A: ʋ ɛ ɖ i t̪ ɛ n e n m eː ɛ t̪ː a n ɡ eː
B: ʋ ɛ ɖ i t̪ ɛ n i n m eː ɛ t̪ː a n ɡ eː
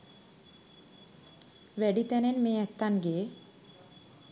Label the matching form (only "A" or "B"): A